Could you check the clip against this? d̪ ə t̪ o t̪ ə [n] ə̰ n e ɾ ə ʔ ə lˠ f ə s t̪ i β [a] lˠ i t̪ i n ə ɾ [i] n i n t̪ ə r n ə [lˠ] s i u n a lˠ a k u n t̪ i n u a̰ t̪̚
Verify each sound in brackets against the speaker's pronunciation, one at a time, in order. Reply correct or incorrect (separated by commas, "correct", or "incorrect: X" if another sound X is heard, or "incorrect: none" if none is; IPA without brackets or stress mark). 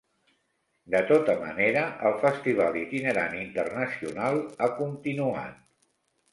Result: incorrect: m, correct, incorrect: a, incorrect: none